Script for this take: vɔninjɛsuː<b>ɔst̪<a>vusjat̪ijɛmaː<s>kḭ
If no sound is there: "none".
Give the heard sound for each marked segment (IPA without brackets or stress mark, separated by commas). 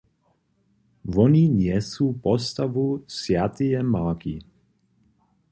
p, a, none